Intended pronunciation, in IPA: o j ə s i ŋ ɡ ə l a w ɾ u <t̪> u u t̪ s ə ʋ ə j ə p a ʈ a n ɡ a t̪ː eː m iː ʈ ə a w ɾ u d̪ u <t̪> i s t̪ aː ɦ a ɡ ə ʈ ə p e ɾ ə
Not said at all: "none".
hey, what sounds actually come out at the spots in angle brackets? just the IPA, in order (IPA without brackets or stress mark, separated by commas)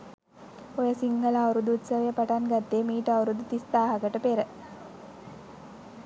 d̪, t̪